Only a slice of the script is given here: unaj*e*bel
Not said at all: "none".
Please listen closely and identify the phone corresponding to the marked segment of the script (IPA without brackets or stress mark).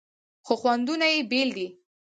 e